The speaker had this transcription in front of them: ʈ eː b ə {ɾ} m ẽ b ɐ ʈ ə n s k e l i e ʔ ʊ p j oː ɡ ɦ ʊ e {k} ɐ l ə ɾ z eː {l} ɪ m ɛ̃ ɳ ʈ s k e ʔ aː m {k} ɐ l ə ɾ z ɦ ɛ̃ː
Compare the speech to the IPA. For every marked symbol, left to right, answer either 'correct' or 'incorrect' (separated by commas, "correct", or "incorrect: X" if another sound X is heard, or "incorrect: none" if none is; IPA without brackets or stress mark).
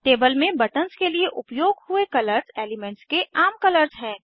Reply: incorrect: l, correct, correct, correct